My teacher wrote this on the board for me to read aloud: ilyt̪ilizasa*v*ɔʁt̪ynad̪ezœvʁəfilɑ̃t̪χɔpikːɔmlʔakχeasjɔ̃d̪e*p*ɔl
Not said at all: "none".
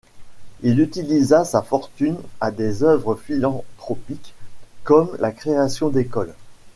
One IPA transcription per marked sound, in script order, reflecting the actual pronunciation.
f, k

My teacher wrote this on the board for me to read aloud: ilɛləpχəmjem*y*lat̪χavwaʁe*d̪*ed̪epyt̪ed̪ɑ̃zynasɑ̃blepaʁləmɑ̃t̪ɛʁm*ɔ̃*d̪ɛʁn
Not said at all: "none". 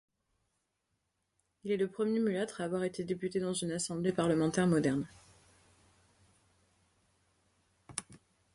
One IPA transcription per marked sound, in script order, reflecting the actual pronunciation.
y, t̪, ɔ

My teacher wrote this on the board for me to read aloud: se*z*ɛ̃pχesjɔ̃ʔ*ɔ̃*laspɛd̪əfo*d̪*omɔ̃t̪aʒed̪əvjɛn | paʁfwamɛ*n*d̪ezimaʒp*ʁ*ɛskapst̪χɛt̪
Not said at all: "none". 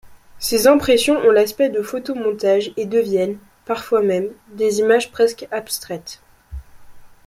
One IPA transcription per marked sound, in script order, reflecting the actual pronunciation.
z, ɔ̃, t̪, m, χ

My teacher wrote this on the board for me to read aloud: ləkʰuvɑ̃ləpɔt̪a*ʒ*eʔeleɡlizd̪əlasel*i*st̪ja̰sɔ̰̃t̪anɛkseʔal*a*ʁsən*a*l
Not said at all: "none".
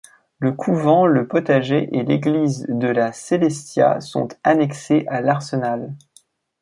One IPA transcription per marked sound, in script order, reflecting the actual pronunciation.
ʒ, ɛ, a, a

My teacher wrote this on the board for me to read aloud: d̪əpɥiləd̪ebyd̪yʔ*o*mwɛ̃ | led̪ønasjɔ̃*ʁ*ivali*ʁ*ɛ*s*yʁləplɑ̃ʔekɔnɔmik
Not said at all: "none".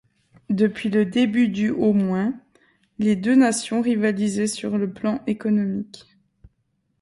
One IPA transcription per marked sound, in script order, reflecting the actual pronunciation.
o, ʁ, z, s

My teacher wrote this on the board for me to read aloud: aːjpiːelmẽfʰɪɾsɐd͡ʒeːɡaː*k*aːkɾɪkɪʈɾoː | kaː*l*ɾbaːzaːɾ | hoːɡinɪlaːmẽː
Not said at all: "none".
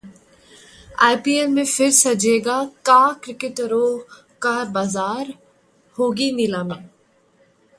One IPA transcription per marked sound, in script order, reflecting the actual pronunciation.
k, none

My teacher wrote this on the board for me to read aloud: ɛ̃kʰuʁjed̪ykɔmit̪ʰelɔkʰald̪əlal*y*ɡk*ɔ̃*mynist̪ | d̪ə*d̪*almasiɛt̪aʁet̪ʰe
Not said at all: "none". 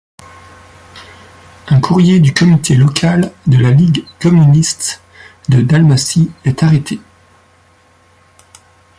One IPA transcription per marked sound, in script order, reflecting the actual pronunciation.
i, ɔ, d̪

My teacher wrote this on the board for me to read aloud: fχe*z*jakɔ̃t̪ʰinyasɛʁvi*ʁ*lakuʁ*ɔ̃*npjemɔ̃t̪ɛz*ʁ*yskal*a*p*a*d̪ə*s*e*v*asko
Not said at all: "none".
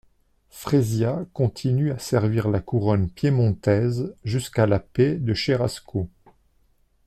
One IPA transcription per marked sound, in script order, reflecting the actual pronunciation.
z, ʁ, ɔ, ʒ, a, e, ʃ, ʁ

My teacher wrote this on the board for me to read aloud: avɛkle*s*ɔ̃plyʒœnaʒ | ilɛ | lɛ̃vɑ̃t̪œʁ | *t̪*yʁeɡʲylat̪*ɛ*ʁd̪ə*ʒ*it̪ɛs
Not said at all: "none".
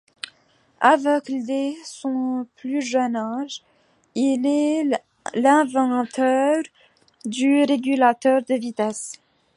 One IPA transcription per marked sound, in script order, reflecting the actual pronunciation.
s, d̪, œ, v

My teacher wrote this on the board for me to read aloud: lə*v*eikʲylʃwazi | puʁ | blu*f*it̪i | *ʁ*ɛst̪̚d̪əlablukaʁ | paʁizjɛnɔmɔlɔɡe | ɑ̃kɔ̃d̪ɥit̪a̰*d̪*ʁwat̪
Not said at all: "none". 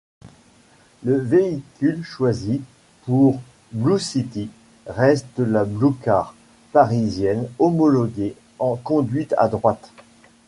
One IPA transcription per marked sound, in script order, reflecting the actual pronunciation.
v, s, ʁ, d̪

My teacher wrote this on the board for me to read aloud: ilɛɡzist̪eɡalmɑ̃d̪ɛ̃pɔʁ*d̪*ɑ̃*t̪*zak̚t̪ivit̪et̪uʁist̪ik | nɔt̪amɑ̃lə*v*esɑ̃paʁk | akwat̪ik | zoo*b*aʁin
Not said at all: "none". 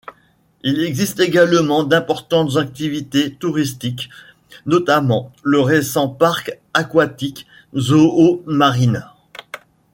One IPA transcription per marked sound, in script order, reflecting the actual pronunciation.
t̪, t̪, ʁ, m

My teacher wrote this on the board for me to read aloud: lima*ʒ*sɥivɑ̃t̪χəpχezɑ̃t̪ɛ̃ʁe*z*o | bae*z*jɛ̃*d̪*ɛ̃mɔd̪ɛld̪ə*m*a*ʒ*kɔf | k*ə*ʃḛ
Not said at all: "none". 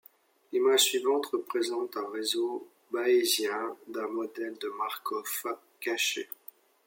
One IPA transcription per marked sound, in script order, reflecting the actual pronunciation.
ʒ, z, z, d̪, m, ʁ, a

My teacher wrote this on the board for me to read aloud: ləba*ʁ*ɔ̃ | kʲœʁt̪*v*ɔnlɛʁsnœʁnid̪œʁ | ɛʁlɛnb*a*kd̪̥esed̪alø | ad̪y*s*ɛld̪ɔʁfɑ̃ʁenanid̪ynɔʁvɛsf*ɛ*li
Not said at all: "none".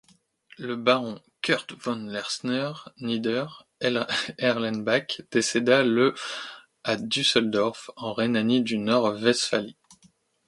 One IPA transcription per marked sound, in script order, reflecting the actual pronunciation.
ʁ, v, a, s, a

